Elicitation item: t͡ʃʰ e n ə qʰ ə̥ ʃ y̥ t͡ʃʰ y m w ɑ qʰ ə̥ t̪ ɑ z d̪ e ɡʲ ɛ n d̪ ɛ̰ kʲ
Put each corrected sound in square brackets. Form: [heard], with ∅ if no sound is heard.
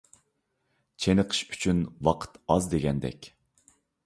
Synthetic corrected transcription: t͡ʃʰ e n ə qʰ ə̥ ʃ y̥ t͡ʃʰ y [n] w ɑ qʰ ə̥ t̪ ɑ z d̪ e ɡʲ ɛ n d̪ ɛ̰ kʲ